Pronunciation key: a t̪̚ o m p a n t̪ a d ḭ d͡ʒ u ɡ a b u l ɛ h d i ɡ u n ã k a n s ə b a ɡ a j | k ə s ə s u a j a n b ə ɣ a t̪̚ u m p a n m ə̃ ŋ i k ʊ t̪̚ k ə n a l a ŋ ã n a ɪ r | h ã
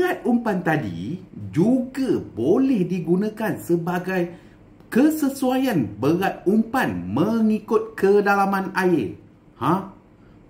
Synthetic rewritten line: a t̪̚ u m p a n t̪ a d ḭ d͡ʒ u ɡ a b o l ɛ h d i ɡ u n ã k a n s ə b a ɡ a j | k ə s ə s u a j a n b ə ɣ a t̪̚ u m p a n m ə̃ ŋ i k ʊ t̪̚ k ə d a l a m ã n a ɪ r | h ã